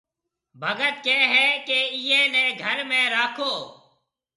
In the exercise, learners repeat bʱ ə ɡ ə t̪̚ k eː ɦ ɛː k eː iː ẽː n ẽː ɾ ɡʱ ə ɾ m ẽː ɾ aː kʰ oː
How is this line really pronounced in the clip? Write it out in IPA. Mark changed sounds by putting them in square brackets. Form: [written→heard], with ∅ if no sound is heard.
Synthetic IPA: bʱ ə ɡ ə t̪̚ k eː ɦ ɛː k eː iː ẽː n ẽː [ɾ→∅] ɡʱ ə ɾ m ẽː ɾ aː kʰ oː